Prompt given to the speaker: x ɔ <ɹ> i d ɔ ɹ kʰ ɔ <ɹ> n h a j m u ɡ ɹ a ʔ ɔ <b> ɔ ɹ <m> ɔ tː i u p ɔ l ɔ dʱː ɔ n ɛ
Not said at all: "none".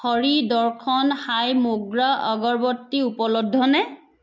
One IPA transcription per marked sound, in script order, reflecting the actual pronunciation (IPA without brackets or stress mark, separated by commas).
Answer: ɹ, none, ɡ, b